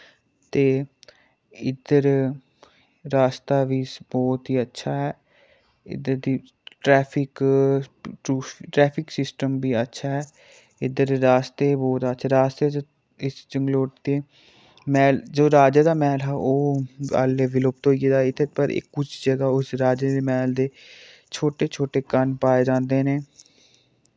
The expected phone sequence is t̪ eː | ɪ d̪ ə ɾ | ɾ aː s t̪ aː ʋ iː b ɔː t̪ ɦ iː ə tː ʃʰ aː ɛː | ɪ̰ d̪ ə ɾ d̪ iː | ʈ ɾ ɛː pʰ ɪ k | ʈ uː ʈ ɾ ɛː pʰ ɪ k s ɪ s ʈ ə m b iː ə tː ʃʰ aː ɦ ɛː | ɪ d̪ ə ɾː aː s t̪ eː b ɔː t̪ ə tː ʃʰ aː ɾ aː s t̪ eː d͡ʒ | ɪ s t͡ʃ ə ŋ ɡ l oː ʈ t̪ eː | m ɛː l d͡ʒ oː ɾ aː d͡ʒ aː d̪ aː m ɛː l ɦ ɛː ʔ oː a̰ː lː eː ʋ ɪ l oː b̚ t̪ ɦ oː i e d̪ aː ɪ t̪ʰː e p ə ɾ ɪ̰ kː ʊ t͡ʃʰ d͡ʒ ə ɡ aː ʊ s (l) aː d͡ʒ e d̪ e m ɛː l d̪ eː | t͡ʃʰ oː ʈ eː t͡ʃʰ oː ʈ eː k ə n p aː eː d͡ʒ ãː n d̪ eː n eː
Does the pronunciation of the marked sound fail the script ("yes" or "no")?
yes